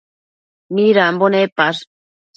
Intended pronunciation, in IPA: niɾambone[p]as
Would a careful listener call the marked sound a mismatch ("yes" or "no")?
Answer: no